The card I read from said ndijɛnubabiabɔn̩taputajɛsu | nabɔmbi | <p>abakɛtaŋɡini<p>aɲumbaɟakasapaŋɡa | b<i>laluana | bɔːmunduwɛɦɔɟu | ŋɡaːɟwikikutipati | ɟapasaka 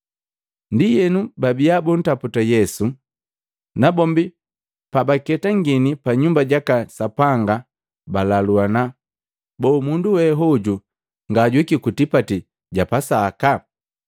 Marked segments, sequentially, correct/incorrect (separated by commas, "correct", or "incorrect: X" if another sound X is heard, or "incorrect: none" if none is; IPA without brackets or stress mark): correct, correct, incorrect: a